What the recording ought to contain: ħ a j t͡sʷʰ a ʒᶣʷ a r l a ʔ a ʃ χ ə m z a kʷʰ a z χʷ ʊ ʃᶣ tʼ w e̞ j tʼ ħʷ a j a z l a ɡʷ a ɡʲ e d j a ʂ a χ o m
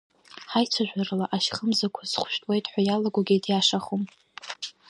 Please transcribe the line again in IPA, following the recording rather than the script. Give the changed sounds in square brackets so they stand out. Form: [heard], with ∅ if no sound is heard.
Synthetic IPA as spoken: ħ a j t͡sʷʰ a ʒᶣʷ a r l a ʔ a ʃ χ ə m z a kʷʰ a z χʷ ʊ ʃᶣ tʼ w e̞ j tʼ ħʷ a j a [∅] l a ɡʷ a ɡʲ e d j a ʂ a χ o m